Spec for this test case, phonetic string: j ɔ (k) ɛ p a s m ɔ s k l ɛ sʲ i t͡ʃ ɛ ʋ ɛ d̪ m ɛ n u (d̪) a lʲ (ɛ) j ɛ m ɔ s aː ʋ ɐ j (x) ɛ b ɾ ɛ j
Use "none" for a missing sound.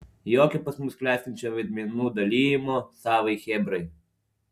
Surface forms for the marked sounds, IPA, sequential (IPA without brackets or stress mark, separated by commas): k, d̪, i, x